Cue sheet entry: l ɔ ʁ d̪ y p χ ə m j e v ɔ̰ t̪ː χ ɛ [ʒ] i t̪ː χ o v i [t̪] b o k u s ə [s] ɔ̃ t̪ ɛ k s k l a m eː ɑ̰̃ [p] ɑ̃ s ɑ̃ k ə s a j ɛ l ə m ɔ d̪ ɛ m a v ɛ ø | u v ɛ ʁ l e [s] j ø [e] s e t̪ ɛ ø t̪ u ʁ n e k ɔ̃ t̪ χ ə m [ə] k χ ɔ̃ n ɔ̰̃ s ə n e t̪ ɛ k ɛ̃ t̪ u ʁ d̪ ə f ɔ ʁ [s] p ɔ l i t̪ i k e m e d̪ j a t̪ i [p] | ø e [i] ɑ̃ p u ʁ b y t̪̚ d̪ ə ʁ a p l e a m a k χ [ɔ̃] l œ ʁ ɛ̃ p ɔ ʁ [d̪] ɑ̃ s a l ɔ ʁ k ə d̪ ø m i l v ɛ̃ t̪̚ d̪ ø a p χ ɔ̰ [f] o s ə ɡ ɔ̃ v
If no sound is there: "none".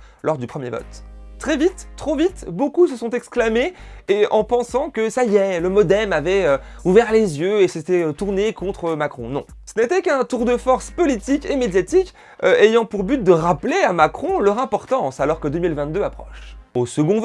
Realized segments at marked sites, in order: v, t̪, s, p, z, e, a, s, k, j, ɔ̃, t̪, ʃ

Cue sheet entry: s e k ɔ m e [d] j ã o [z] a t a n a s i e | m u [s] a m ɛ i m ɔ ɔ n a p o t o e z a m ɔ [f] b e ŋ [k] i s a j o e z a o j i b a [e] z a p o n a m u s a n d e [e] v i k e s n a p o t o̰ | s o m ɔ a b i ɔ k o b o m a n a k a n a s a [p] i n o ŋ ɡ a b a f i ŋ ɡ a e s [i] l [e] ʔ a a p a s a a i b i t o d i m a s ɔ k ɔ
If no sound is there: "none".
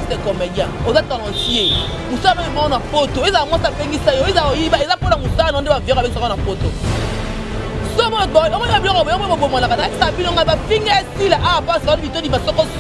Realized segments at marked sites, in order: d, z, s, s, ɡ, e, a, b, i, a

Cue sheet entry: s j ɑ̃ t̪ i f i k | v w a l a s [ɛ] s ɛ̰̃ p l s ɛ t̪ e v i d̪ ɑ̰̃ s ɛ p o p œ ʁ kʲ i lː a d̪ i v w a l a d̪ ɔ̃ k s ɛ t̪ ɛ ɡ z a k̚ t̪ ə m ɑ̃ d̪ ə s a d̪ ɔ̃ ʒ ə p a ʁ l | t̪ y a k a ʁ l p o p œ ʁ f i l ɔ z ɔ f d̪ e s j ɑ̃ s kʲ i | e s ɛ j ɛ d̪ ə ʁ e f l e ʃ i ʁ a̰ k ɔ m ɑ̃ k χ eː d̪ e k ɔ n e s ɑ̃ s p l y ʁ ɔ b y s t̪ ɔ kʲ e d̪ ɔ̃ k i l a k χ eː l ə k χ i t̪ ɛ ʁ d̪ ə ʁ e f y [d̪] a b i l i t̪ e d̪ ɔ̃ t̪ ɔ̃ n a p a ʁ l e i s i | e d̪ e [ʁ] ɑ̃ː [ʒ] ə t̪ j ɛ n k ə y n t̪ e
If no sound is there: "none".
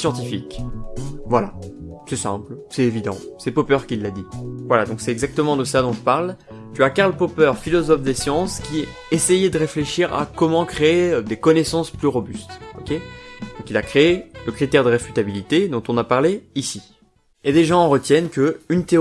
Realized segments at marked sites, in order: ɛ, t̪, ʒ, ʁ

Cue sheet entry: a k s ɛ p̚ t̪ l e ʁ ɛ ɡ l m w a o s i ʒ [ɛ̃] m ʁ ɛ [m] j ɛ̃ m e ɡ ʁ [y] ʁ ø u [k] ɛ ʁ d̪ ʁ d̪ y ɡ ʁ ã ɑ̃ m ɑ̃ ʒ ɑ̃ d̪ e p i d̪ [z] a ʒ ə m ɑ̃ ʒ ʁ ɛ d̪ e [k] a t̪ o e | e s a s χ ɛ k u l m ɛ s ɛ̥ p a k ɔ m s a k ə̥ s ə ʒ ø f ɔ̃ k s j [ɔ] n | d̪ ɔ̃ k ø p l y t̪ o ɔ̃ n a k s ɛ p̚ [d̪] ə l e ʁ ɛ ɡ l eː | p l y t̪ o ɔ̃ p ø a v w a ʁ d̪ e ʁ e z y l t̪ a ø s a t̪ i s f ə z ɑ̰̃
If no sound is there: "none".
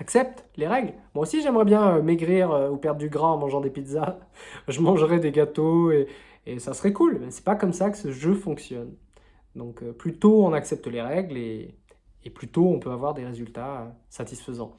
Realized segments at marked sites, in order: ɛ, b, i, p, z, ɡ, ɔ, t̪

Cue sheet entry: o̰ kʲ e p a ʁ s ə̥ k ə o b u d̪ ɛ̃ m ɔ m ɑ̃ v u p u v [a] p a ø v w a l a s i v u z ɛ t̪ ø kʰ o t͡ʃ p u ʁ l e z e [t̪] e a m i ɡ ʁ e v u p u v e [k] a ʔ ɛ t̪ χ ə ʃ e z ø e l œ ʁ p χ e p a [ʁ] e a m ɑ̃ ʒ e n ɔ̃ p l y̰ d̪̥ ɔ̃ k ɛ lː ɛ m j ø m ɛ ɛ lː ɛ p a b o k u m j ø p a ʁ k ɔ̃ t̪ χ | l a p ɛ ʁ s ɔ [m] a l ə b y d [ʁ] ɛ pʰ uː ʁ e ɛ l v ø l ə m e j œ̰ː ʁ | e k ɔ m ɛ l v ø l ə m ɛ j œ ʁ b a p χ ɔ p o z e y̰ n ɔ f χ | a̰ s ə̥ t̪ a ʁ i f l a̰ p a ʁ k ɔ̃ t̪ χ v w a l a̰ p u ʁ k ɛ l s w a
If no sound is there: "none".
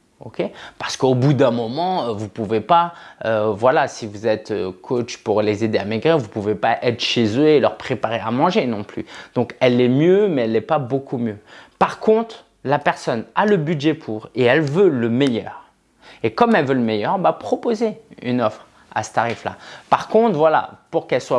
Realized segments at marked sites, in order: e, d̪, p, ʁ, n, ʒ

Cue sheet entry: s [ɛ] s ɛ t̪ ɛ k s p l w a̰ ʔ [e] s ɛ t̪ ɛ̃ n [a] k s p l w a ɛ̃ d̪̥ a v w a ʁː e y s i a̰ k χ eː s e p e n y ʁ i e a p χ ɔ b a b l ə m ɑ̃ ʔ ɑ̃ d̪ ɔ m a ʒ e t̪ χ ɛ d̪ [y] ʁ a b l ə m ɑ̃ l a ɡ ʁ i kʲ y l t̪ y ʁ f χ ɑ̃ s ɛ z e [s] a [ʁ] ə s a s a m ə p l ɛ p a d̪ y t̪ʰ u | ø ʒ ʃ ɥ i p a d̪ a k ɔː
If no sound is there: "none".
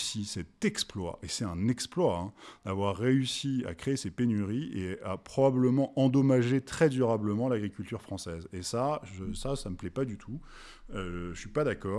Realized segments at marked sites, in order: i, e, ɛ, y, s, ʒ

